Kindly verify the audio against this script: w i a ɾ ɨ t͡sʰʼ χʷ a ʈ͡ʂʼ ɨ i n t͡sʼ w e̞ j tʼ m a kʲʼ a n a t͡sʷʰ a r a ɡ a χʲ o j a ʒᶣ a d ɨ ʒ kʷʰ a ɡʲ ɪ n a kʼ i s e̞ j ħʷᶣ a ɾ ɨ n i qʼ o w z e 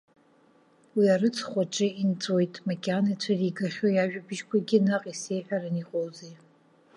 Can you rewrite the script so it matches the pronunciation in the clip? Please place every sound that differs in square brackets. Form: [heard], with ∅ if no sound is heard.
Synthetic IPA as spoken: w i a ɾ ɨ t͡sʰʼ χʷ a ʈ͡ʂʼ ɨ i n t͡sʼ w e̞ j tʼ m a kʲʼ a n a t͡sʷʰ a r [i] ɡ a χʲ o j a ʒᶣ a [b] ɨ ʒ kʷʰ a ɡʲ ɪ n a [qʼ] i s e̞ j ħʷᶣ a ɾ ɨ n i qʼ o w z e